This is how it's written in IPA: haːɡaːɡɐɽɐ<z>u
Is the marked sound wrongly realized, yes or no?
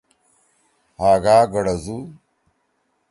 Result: no